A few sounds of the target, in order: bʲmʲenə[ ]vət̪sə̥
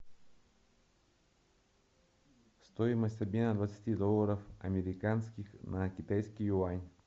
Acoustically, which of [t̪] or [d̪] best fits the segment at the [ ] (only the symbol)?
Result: d̪